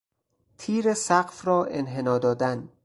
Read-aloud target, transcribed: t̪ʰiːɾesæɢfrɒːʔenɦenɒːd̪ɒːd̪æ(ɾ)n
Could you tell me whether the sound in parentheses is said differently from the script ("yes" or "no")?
yes